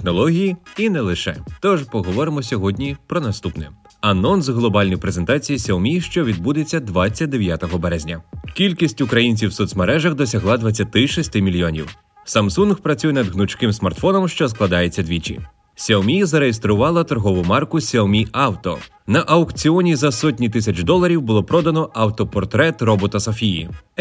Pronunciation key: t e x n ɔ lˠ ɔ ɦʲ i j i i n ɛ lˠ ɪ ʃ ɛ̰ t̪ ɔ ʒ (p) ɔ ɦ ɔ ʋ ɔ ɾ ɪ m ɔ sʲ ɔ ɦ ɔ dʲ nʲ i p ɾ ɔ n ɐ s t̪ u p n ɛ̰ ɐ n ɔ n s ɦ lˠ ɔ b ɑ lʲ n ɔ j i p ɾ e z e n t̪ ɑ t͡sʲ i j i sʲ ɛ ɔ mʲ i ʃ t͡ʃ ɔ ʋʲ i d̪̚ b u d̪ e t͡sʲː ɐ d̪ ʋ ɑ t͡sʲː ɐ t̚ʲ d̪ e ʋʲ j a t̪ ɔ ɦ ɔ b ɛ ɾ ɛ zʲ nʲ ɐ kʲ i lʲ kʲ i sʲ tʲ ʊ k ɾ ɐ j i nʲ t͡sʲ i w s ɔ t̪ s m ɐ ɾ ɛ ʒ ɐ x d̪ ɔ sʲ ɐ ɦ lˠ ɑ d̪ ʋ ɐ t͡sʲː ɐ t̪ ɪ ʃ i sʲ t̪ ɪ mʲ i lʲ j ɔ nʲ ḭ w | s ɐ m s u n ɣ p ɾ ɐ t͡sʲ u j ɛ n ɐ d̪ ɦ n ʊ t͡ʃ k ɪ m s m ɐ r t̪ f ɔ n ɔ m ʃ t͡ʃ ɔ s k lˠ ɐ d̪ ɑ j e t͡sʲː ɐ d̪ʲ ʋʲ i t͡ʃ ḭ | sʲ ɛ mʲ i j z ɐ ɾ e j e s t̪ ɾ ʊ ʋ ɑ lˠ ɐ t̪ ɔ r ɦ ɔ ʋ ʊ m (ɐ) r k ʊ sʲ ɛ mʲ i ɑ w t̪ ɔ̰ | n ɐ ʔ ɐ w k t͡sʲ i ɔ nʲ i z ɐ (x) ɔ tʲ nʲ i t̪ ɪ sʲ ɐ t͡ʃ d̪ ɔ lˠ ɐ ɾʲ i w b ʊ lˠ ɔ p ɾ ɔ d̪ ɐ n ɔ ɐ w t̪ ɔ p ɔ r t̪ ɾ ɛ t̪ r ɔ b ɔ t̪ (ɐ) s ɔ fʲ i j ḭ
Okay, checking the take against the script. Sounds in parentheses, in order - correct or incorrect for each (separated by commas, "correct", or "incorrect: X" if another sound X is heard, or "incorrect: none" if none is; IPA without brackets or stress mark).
correct, incorrect: ɑ, incorrect: s, correct